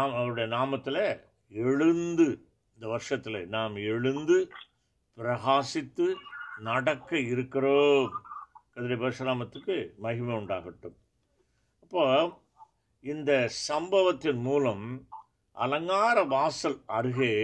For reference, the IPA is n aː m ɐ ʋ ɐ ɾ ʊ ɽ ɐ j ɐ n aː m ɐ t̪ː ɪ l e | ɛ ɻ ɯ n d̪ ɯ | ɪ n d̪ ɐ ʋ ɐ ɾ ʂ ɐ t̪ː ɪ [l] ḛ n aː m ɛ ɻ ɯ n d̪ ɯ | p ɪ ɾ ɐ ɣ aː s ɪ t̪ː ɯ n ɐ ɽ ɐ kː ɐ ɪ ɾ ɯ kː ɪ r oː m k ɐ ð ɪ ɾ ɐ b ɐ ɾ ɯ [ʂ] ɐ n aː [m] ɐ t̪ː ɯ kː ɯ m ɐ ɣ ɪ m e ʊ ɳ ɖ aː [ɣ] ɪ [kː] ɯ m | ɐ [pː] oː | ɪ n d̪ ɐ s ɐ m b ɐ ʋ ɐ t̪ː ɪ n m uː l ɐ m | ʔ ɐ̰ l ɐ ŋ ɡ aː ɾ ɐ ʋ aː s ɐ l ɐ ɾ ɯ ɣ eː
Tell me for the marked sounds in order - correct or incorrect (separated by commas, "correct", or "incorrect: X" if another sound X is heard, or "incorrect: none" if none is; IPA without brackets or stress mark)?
correct, correct, correct, correct, incorrect: ʈː, correct